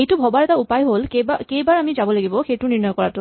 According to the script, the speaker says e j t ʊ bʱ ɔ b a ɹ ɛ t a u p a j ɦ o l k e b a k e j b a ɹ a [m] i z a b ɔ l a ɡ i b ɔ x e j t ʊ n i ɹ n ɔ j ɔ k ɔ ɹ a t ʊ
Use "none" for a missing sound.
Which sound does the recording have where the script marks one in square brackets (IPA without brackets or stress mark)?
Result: m